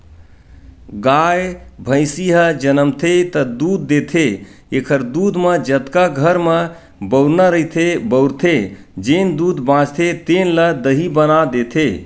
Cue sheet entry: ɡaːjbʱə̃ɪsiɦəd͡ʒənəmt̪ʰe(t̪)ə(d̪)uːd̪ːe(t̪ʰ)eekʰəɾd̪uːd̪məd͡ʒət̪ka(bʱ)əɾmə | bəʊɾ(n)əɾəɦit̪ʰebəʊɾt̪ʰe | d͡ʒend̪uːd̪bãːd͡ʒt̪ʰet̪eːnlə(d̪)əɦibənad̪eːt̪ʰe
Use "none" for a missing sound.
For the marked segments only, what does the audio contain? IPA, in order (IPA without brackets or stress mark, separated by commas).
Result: t̪, d̪, t̪ʰ, ɡʱ, n, d̪